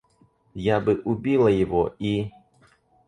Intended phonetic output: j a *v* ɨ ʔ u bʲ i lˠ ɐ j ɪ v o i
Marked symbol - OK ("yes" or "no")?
no